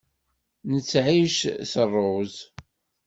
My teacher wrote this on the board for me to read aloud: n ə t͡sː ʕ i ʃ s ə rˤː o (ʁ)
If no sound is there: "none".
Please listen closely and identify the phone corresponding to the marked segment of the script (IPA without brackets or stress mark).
z